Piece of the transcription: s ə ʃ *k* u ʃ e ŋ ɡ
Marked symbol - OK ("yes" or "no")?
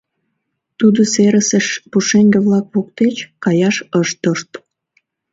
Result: no